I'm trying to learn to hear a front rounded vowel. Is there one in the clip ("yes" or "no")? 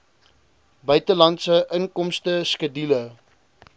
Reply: yes